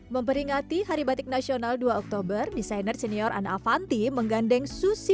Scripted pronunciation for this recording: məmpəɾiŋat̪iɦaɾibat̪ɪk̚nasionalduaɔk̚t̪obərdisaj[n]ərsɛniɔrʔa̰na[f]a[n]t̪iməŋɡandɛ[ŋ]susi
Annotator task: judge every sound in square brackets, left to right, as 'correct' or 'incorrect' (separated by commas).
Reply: correct, correct, correct, correct